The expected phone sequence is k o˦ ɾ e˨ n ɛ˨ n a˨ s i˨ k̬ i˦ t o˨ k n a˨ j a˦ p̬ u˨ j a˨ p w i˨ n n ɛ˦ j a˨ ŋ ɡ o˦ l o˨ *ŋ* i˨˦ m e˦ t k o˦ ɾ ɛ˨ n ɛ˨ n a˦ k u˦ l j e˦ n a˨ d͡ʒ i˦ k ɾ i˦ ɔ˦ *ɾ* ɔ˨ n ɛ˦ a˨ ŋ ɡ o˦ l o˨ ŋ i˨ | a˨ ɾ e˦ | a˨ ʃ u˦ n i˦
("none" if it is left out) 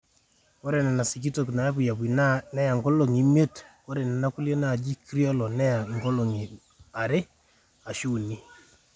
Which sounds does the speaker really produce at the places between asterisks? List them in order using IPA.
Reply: ŋ, l

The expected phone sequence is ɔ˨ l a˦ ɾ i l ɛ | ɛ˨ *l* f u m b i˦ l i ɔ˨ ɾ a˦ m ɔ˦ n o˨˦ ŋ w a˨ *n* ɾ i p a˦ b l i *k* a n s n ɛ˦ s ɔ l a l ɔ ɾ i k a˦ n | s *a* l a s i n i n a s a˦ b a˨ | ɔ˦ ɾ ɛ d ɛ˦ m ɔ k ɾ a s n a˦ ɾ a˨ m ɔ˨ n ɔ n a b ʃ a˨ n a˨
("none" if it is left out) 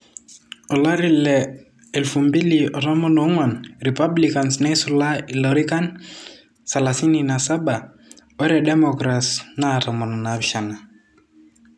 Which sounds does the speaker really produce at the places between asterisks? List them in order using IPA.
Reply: l, n, k, a

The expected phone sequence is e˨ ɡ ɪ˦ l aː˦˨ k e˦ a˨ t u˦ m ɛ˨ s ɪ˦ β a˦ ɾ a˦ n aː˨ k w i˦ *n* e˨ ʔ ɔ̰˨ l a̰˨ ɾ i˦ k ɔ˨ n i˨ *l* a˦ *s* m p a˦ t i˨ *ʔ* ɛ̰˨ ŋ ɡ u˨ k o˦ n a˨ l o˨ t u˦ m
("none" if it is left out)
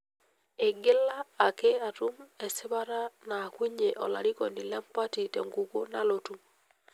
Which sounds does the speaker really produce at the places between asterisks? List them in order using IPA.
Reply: ɲ, l, none, t

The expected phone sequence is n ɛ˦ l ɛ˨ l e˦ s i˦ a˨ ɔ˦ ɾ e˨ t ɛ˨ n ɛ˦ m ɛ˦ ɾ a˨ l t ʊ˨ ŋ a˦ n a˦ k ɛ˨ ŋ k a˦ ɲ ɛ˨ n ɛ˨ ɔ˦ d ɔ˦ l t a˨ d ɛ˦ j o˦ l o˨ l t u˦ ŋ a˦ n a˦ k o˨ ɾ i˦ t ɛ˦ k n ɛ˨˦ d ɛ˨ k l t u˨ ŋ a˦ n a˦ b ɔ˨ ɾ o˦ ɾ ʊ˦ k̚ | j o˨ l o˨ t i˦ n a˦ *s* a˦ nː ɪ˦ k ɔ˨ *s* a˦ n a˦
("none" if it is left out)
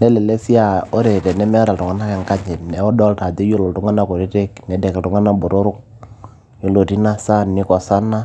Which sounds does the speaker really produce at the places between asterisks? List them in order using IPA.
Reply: s, s

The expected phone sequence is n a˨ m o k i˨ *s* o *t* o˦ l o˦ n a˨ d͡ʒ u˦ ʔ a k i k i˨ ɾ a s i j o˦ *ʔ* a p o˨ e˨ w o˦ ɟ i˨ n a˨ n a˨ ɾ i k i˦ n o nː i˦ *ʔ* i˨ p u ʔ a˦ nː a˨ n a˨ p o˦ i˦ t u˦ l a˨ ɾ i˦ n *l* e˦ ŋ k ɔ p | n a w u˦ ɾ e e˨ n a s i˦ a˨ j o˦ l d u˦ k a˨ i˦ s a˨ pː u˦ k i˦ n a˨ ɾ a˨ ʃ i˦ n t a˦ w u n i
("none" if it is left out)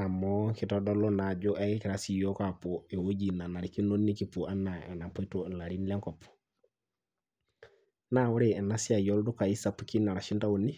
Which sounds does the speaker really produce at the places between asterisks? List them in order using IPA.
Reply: t, d, k, k, l

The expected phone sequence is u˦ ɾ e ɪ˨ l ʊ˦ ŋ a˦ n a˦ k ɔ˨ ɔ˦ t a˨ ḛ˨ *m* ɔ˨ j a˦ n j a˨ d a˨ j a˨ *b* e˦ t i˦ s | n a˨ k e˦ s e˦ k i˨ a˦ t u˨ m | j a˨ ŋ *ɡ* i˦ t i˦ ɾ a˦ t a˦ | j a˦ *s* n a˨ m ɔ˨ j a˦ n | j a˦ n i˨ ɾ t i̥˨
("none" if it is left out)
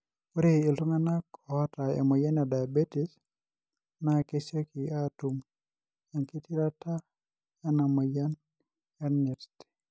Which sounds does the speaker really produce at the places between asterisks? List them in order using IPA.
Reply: m, b, k, none

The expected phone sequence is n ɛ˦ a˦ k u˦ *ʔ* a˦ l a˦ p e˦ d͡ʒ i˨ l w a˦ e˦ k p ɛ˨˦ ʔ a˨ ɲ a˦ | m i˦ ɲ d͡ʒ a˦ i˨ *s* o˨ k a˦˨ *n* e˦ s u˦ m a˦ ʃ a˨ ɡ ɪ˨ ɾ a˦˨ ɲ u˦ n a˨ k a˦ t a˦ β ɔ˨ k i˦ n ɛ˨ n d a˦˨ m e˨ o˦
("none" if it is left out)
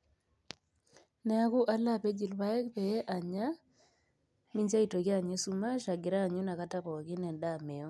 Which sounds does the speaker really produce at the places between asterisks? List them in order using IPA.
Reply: ʔ, t, ɲ

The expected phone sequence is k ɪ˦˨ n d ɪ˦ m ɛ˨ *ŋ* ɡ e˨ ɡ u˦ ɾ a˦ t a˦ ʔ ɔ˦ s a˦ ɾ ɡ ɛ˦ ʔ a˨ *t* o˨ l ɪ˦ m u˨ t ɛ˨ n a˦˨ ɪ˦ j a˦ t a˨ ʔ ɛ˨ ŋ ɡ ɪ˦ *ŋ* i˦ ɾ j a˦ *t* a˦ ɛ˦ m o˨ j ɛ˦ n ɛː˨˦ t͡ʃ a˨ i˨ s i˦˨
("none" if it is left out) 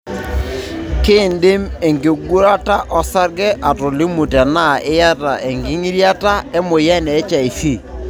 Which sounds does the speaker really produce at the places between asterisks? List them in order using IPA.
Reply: ŋ, t, ŋ, t

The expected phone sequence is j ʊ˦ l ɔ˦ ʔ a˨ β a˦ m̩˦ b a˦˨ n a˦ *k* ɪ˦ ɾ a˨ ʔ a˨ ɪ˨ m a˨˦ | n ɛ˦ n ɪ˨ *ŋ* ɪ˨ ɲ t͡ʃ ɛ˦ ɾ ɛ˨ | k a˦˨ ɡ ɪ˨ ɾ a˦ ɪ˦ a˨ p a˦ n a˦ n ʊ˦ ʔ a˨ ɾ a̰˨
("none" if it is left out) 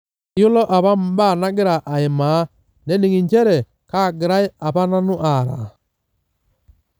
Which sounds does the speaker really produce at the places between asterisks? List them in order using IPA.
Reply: ɡ, ŋ

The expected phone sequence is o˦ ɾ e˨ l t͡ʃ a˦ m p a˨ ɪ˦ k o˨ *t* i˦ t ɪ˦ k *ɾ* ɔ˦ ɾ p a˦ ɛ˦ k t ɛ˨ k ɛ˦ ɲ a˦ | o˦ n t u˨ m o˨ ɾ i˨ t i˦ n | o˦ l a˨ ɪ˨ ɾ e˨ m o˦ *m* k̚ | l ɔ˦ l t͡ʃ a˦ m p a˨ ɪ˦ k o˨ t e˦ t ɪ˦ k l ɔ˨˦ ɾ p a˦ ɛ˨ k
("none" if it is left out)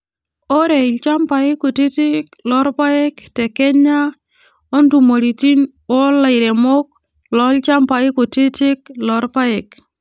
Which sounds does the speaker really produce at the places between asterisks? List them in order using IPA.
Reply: t, l, none

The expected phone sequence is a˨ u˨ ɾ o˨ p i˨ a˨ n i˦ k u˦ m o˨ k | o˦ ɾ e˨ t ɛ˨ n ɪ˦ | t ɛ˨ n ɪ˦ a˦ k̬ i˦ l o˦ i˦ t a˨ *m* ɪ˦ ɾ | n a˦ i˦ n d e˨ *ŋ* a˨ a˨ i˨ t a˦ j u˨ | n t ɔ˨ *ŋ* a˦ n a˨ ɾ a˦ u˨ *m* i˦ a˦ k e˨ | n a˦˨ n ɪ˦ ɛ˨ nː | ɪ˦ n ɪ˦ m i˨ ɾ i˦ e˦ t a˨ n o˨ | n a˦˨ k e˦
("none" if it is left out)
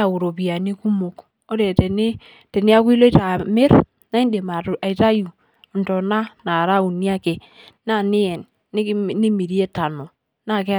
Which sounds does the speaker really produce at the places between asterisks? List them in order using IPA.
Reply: m, m, n, n

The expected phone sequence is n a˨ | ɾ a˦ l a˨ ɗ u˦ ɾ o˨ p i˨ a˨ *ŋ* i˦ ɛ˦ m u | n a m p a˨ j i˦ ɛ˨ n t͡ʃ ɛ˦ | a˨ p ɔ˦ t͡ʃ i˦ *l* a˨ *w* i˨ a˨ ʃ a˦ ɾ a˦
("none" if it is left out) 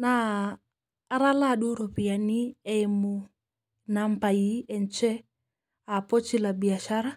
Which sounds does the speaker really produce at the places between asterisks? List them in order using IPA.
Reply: n, l, b

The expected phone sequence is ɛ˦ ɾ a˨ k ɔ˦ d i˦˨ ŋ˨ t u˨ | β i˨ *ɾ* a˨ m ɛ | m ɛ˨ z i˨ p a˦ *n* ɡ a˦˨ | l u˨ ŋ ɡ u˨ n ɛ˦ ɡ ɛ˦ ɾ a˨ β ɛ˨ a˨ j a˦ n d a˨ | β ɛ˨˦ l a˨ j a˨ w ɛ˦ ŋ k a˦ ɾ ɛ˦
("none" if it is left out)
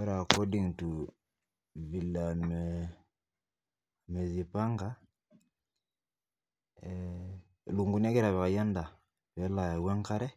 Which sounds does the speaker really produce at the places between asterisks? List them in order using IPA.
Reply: l, ŋ

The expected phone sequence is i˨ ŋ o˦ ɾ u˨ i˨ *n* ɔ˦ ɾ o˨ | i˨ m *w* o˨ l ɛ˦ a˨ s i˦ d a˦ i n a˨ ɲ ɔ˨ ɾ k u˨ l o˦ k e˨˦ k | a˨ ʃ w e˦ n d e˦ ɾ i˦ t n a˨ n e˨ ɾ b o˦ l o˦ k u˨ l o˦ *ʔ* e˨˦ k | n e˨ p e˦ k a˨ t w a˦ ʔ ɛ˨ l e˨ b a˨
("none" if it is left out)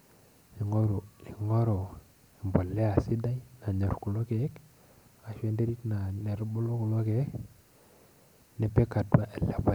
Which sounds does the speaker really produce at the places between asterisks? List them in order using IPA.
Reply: ŋ, b, k

